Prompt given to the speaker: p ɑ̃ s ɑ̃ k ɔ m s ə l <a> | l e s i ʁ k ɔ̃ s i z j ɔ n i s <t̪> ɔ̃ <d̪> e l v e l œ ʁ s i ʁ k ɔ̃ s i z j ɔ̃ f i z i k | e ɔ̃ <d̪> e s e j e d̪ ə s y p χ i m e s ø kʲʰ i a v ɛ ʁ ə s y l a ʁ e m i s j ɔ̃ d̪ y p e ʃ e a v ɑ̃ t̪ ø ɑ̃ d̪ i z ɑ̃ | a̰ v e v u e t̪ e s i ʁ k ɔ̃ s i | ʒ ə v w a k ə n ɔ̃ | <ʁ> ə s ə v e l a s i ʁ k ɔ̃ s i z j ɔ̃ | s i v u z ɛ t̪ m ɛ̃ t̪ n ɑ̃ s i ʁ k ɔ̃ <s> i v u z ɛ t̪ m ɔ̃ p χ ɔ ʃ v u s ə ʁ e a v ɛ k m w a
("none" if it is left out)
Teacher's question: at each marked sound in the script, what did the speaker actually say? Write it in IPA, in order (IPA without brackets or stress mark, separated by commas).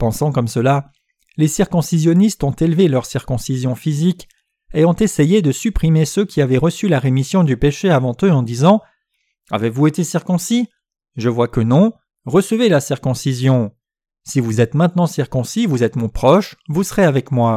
a, t̪, t̪, t̪, ʁ, s